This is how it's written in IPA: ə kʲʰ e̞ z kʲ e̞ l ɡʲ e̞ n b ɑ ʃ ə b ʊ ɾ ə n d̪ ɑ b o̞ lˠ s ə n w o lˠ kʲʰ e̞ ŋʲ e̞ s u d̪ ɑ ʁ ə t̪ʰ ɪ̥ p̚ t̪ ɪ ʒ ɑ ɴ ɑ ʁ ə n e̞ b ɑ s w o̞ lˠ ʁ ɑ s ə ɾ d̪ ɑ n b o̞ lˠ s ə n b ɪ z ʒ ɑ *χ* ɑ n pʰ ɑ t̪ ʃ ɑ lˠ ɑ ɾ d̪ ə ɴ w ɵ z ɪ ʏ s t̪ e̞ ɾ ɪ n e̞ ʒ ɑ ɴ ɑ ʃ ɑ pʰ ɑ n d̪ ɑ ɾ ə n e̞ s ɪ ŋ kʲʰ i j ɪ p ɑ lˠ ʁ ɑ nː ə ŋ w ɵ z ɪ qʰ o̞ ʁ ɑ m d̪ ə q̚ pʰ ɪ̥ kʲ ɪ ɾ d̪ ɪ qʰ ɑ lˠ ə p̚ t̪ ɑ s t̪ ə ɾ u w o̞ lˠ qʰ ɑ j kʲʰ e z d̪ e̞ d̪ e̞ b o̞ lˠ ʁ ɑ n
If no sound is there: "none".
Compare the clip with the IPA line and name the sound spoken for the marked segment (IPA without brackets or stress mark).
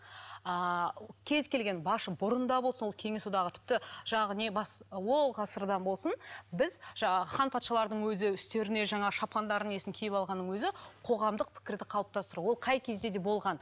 χ